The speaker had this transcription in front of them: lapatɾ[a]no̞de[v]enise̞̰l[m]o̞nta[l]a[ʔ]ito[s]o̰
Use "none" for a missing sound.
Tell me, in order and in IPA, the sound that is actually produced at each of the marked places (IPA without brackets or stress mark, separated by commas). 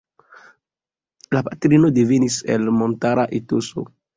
i, v, m, ɾ, ʔ, s